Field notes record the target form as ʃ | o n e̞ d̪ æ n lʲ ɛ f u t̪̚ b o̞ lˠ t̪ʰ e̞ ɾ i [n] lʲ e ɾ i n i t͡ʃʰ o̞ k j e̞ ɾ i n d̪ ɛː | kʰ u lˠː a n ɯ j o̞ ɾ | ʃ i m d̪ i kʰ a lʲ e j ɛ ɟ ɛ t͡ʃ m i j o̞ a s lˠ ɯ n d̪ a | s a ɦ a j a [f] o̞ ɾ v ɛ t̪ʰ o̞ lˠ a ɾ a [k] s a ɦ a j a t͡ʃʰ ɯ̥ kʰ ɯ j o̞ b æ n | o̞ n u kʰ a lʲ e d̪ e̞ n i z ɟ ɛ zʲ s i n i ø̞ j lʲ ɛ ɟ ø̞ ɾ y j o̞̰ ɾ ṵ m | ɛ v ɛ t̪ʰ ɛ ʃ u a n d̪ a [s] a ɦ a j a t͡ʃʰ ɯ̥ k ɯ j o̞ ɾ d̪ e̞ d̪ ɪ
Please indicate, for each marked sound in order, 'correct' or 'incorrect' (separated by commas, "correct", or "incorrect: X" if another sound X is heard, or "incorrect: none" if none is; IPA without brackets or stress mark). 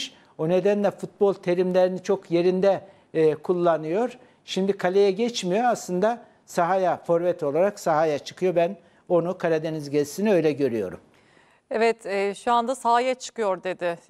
incorrect: m, correct, correct, correct